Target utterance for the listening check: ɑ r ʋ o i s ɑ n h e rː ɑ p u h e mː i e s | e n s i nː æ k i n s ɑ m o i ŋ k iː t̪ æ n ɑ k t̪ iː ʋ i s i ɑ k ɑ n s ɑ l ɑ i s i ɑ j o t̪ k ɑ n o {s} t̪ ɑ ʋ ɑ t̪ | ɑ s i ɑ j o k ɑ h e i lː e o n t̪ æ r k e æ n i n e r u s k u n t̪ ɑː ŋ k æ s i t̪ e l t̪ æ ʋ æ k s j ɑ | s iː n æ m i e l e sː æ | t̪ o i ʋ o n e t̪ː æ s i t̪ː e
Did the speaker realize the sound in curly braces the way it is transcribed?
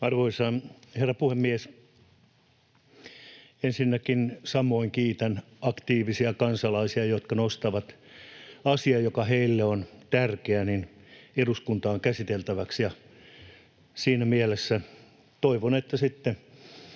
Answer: yes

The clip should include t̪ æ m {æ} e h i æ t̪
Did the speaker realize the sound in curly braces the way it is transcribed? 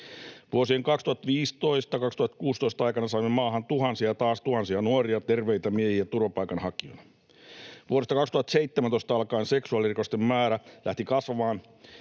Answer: no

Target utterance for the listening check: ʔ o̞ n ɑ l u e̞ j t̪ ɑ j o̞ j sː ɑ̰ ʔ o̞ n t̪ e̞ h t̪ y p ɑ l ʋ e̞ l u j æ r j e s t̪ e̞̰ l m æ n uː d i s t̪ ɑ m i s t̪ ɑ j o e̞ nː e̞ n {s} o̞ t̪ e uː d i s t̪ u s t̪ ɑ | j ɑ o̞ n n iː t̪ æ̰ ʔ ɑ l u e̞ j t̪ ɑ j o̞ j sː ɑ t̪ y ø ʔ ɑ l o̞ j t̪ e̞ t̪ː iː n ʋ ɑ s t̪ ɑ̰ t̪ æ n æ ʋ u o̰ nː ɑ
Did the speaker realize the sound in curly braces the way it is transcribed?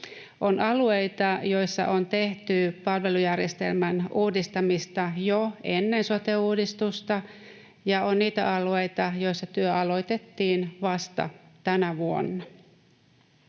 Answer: yes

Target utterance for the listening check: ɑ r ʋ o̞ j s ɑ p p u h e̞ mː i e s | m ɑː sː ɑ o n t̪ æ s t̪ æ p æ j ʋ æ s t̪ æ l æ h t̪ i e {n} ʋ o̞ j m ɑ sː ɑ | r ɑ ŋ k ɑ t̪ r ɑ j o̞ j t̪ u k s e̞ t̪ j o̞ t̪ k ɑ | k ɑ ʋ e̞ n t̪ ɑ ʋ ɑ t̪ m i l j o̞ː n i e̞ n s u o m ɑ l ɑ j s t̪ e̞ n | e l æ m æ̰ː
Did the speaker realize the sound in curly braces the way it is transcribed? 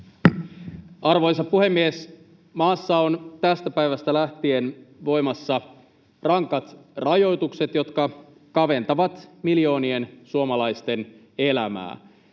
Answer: yes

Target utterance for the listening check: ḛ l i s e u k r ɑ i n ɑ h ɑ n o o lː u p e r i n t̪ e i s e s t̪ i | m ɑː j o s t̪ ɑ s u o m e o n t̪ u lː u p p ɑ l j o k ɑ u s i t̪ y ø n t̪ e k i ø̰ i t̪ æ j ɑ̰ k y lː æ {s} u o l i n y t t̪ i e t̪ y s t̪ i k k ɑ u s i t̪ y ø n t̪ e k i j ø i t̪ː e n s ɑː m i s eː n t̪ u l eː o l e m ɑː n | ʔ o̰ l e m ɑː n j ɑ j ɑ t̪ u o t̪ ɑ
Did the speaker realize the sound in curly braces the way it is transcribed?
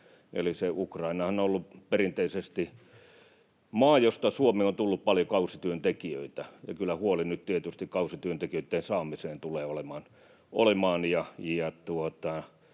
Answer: no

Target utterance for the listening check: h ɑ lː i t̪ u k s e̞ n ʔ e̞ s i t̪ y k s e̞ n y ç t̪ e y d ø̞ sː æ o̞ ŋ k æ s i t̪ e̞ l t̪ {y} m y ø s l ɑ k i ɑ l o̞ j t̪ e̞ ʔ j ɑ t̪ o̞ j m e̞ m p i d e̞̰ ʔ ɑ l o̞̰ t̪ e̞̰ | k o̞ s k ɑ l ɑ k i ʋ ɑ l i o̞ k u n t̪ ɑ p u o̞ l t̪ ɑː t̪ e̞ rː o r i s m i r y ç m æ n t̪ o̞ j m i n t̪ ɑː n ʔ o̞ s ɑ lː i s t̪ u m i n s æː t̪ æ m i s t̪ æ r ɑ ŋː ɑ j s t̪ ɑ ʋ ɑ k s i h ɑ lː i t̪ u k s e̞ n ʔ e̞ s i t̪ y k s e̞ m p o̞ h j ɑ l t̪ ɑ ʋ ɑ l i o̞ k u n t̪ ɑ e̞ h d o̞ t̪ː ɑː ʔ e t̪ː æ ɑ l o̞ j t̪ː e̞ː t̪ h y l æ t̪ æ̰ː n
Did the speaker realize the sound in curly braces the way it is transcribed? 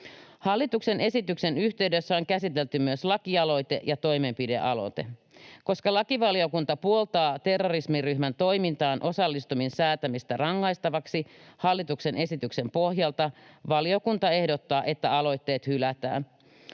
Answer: yes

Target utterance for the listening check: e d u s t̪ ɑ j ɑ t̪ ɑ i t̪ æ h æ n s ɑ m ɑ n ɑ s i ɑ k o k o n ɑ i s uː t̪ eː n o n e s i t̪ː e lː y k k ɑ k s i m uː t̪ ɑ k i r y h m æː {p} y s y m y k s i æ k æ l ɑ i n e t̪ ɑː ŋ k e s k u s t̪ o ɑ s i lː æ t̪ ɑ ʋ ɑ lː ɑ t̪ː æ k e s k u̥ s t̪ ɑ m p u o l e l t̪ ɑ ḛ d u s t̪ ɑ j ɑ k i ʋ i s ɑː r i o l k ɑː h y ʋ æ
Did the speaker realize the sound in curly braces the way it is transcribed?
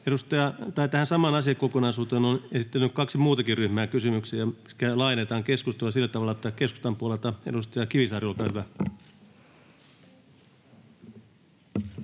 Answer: no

